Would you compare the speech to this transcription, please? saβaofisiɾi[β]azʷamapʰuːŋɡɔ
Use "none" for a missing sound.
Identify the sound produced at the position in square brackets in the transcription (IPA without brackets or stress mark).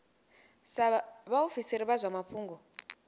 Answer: β